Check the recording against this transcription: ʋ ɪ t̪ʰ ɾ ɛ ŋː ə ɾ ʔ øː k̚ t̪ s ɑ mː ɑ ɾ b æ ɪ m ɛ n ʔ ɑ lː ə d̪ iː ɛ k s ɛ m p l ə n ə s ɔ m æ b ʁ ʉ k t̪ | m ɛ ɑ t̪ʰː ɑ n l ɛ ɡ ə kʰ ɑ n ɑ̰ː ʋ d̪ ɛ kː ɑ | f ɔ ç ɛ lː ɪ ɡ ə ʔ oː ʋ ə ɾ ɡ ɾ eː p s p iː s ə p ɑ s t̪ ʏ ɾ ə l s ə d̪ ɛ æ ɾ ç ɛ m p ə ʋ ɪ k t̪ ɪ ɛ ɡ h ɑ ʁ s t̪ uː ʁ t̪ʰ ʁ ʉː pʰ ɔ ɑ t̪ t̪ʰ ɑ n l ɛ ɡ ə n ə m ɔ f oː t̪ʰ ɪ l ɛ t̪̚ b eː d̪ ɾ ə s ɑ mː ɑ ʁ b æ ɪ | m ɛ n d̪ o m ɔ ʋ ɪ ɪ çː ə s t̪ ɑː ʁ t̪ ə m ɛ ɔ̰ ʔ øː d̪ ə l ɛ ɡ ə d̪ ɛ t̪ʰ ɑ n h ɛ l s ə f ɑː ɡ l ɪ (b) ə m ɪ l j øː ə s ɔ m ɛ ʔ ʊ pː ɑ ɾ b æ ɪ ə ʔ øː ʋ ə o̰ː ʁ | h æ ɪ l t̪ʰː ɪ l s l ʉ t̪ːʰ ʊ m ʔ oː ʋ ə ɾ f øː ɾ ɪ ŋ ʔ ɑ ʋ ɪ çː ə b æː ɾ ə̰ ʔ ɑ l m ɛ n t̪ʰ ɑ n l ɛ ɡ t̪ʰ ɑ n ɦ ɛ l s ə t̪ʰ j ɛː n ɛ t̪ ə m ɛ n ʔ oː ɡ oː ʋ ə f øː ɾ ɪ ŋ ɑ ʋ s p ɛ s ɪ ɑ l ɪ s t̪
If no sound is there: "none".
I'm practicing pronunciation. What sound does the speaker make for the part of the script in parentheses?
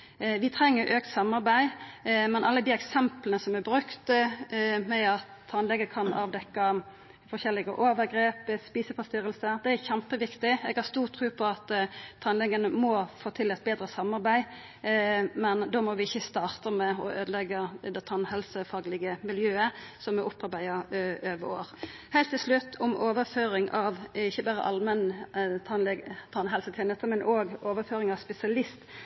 ɡ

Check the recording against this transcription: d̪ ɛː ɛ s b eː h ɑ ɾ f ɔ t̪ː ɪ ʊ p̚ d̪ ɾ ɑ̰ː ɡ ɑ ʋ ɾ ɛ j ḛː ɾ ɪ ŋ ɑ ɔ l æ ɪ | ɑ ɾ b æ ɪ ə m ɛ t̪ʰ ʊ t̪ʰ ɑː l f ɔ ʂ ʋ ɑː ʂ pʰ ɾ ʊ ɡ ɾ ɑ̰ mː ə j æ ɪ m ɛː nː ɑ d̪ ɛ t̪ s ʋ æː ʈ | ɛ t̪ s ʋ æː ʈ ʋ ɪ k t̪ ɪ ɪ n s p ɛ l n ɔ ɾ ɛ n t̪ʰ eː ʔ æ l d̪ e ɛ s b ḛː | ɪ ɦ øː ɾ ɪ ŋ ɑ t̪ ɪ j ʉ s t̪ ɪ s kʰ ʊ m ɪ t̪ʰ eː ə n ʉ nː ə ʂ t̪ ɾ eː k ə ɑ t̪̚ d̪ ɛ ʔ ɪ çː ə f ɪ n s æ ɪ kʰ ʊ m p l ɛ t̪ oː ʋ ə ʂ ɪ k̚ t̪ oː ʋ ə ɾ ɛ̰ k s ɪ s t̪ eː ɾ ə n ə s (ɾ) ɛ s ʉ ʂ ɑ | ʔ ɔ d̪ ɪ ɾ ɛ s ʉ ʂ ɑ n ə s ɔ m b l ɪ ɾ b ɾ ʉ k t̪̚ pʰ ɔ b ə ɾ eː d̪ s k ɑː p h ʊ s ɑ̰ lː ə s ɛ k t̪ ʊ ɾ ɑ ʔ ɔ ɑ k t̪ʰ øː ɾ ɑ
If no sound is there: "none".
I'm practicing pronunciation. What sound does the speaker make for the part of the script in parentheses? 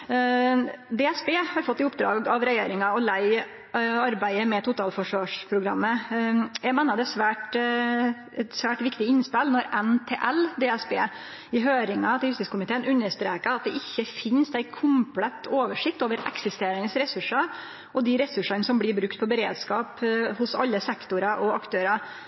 ɾ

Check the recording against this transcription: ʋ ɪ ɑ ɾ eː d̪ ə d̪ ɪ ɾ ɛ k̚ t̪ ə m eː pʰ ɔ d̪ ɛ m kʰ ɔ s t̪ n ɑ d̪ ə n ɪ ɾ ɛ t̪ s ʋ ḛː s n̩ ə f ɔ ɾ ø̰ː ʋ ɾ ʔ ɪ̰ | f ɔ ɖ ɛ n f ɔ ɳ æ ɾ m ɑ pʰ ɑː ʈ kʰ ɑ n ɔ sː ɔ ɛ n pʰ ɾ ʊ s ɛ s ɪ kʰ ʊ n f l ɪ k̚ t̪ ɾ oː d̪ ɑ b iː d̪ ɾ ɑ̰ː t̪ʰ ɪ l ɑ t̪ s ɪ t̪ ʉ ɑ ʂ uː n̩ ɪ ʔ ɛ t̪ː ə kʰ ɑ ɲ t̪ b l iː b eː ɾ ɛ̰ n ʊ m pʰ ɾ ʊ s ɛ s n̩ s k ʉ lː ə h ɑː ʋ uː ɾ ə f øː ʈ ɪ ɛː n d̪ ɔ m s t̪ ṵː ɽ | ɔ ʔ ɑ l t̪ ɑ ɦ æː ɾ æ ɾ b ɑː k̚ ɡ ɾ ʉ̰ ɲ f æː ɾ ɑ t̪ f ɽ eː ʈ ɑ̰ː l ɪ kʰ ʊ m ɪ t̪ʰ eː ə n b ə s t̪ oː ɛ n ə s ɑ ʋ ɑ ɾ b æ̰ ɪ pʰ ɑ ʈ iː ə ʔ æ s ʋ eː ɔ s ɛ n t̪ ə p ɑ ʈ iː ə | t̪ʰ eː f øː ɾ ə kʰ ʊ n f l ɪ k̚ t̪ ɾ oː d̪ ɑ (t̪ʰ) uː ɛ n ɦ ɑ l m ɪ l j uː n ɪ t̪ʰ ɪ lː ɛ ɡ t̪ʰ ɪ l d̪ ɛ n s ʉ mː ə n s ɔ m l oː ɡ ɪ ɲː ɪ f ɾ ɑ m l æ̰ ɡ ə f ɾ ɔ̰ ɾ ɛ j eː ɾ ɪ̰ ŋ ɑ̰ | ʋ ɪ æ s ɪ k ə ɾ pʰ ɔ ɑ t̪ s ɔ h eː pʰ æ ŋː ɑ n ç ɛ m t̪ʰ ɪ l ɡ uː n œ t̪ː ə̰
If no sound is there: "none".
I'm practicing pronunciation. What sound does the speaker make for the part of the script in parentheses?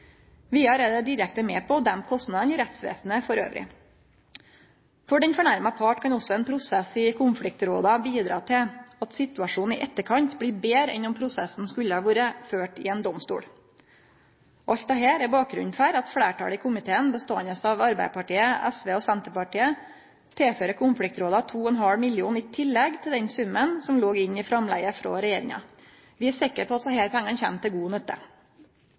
t̪ʰ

